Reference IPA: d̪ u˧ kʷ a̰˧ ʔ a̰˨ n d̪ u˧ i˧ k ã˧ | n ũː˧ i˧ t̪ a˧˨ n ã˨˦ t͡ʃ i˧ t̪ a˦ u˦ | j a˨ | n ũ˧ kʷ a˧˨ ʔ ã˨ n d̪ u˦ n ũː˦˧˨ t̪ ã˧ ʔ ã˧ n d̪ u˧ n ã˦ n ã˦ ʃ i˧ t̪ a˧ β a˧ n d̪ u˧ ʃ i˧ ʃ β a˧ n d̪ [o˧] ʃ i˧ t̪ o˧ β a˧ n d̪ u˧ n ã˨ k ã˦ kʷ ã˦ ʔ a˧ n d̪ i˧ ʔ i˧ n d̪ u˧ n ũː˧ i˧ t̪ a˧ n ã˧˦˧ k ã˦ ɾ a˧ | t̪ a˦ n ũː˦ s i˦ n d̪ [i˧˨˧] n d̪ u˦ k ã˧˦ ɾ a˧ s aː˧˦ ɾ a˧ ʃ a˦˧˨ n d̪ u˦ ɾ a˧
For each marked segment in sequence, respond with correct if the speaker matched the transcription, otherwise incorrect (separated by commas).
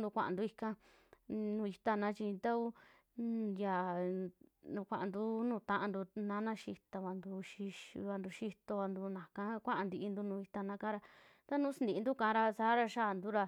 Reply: incorrect, correct